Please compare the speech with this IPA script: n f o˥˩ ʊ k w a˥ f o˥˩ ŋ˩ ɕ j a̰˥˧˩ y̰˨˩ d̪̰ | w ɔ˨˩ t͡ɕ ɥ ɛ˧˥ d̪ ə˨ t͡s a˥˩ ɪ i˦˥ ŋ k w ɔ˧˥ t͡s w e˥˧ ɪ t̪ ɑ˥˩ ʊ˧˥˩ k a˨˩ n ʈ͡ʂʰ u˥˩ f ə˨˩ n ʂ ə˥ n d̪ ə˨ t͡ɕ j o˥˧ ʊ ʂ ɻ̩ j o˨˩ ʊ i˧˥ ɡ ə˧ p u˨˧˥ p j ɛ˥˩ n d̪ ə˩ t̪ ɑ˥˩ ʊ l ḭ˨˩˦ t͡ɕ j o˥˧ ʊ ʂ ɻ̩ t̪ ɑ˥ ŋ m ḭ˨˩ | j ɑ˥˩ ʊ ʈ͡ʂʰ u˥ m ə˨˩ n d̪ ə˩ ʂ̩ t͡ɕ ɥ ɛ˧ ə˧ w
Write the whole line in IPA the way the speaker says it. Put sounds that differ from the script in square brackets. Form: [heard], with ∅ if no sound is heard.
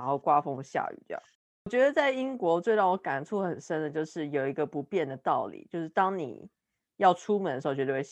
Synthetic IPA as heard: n [x] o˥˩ ʊ k w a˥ f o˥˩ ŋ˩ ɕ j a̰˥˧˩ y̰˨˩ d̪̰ | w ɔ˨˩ t͡ɕ ɥ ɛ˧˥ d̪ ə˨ t͡s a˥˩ ɪ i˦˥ ŋ k w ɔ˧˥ t͡s w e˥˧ ɪ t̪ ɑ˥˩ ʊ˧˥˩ k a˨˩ n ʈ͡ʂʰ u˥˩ [x] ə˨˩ n ʂ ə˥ n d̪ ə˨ t͡ɕ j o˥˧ ʊ ʂ ɻ̩ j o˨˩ ʊ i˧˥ ɡ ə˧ p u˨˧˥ p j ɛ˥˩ n d̪ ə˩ t̪ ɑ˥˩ ʊ l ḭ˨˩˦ t͡ɕ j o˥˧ ʊ ʂ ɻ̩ t̪ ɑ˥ ŋ [n] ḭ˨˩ | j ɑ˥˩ ʊ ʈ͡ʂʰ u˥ m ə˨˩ n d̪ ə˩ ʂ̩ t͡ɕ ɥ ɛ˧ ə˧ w